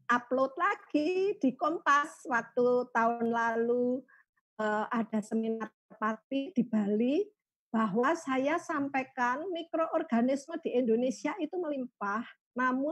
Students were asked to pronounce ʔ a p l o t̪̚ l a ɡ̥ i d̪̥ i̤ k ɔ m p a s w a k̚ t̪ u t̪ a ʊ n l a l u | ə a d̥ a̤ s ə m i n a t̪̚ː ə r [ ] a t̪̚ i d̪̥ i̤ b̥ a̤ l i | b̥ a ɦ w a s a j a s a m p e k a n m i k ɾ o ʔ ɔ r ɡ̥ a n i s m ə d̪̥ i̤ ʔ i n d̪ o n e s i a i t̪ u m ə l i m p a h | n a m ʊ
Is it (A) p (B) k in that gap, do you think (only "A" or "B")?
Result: A